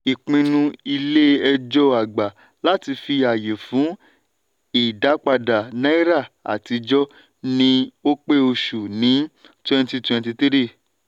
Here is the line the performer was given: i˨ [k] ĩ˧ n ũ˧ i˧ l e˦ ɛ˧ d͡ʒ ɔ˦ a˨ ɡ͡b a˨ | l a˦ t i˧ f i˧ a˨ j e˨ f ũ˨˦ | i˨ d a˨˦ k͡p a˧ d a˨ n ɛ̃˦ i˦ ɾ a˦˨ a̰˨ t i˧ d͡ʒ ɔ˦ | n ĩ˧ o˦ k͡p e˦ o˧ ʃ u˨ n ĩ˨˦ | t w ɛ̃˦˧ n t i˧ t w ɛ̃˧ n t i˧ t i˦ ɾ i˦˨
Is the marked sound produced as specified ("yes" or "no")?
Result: no